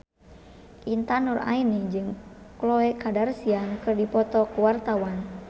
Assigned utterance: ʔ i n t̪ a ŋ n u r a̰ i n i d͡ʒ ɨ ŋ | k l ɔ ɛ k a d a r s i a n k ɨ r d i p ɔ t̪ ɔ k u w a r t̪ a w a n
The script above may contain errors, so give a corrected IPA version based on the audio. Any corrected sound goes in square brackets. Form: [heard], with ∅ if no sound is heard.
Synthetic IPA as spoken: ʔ i n t̪ a [∅] n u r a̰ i n i d͡ʒ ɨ ŋ | k l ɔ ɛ k a d a r s i a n k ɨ r d i p ɔ t̪ ɔ k u w a r t̪ a w a n